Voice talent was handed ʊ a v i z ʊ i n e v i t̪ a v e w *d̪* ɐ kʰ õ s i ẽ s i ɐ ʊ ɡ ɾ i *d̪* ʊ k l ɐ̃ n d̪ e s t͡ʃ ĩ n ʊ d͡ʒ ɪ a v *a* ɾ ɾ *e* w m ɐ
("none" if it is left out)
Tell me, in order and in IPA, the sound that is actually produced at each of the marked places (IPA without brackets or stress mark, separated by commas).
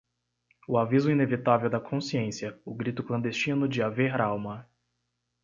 d̪, t̪, e, a